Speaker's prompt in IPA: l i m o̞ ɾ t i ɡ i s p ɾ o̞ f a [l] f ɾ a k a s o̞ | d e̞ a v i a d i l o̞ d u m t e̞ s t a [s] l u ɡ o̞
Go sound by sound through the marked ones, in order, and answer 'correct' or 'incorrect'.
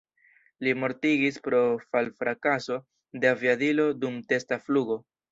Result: correct, incorrect

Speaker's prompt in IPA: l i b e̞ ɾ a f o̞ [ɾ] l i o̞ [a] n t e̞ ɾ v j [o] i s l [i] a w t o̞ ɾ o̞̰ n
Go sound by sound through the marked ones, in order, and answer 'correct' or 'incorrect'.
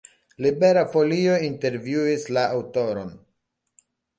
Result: incorrect, incorrect, incorrect, incorrect

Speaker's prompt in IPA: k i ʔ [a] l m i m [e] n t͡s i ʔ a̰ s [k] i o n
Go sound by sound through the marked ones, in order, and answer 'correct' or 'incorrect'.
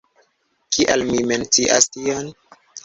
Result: correct, correct, incorrect

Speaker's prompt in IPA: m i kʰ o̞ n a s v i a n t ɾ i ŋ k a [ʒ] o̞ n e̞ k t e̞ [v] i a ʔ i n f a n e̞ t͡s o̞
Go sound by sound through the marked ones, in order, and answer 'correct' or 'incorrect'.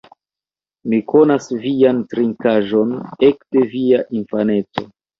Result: correct, correct

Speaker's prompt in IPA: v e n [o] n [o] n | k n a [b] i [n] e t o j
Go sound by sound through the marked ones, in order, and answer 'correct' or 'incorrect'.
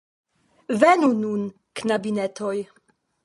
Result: incorrect, incorrect, correct, correct

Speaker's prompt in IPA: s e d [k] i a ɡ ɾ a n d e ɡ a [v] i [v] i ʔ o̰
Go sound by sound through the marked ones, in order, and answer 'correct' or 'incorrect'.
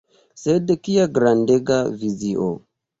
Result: correct, correct, incorrect

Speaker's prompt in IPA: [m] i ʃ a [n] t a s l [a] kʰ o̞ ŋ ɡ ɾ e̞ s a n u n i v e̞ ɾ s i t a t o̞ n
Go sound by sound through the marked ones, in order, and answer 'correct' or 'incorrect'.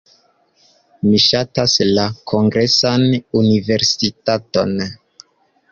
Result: correct, incorrect, correct

